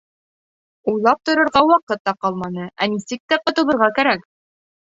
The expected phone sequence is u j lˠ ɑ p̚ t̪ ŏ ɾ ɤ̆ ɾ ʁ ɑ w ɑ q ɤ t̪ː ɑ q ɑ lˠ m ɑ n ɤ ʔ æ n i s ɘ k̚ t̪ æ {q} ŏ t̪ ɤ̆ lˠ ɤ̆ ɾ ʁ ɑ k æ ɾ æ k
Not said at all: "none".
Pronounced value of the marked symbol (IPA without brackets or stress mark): q